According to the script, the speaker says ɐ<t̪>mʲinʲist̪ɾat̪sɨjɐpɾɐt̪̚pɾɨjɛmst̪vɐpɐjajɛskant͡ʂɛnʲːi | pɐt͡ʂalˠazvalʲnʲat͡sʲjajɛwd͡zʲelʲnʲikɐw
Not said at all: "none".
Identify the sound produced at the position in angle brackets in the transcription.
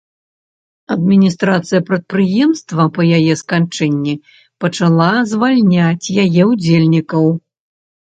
d̪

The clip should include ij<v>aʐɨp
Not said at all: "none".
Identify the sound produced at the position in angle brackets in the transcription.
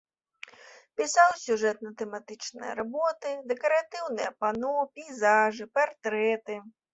z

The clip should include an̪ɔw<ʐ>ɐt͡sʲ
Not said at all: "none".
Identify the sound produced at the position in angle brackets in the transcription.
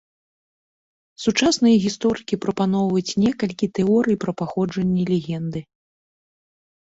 v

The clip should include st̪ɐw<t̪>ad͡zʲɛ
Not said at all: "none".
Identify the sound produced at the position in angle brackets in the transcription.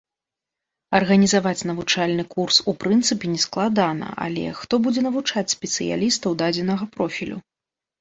d̪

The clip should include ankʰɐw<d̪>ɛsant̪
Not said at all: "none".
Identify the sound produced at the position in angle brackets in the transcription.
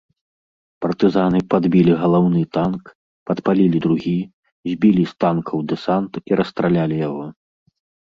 d̪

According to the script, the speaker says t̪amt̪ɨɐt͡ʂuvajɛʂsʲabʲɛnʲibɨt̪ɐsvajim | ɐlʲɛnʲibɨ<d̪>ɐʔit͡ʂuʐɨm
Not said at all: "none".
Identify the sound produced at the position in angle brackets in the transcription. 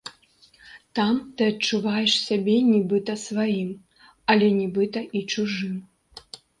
t̪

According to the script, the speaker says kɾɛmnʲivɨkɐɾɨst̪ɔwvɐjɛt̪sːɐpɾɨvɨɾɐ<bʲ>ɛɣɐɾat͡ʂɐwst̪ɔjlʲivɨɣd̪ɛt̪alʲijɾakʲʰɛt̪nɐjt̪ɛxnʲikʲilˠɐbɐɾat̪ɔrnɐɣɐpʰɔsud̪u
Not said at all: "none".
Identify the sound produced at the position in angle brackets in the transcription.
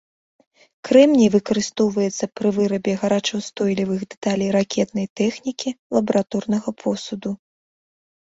bʲ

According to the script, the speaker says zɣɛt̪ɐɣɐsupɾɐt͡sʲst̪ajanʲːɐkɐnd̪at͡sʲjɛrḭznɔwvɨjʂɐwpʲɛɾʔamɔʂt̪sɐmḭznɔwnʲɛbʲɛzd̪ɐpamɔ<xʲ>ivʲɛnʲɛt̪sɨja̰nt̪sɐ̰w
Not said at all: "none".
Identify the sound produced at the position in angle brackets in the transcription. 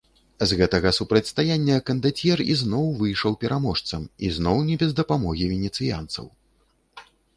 ɣʲ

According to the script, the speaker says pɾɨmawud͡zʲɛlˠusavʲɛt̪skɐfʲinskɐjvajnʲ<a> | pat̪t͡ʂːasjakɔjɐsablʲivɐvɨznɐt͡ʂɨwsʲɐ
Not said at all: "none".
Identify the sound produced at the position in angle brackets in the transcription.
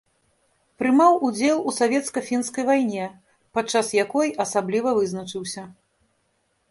ɛ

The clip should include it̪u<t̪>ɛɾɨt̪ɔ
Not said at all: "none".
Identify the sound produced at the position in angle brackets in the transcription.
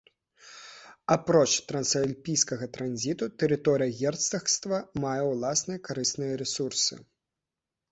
t̪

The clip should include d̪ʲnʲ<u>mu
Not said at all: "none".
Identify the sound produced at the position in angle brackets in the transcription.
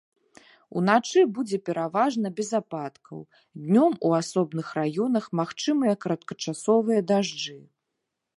ɔ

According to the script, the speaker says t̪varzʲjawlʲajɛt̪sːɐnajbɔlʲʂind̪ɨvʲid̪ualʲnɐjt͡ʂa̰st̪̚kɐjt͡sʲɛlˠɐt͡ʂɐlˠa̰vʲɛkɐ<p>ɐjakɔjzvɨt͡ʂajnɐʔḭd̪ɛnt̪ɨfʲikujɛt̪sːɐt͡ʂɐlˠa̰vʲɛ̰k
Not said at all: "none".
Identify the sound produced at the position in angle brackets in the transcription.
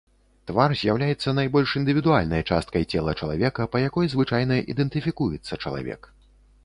p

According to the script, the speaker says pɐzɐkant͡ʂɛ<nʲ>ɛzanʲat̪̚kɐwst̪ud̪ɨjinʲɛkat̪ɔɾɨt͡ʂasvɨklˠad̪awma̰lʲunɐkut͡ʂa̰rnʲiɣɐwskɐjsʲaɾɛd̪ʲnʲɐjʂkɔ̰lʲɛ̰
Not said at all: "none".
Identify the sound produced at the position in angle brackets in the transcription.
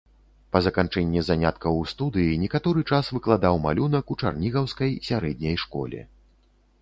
nʲː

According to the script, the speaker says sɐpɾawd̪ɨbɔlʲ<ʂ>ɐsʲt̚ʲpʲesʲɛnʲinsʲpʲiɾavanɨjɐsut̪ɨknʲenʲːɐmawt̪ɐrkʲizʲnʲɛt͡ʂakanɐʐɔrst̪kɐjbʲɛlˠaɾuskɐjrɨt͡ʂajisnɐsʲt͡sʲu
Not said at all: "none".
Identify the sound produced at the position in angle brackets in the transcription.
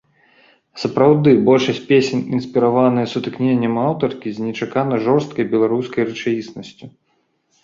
ʂ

